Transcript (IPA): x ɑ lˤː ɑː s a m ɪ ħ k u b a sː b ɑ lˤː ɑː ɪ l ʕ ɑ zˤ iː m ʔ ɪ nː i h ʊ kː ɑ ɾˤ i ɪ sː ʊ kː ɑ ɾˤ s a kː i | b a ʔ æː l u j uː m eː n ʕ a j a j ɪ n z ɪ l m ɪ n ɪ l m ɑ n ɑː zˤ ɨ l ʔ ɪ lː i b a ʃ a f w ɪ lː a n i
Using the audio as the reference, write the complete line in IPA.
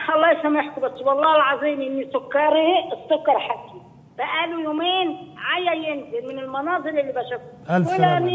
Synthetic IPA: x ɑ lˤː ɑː s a m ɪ ħ k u b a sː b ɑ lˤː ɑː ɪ l ʕ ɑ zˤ iː m ʔ ɪ nː i s ʊ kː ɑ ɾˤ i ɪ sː ʊ kː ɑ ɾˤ ħ a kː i | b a ʔ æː l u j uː m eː n ʕ a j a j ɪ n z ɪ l m ɪ n ɪ l m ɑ n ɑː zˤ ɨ l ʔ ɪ lː i b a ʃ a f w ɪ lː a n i